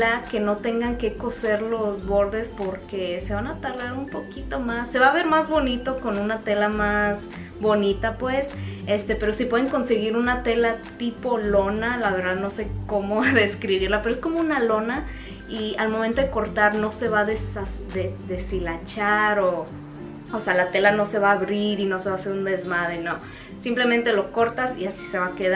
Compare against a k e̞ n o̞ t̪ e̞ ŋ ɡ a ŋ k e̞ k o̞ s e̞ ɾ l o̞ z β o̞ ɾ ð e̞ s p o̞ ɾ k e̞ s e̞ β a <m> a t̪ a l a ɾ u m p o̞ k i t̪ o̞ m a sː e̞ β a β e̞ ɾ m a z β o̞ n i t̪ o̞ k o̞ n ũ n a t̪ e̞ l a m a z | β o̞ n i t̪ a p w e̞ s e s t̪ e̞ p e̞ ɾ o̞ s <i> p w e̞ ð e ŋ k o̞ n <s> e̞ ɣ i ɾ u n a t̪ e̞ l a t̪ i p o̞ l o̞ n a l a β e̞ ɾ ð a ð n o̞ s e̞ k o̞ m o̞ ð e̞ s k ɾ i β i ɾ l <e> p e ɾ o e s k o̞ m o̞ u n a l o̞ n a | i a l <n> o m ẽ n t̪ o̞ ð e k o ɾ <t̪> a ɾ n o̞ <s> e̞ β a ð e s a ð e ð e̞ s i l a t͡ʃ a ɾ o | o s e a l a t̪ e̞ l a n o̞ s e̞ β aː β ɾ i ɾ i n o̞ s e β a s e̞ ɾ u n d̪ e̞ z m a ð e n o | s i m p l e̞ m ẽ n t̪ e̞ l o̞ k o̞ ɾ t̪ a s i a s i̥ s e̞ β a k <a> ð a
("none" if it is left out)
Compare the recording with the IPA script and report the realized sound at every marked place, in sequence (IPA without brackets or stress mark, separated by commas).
n, i, s, a, m, t̪, s, e